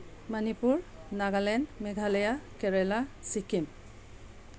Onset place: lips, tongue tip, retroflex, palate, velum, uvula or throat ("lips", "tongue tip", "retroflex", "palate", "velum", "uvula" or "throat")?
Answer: lips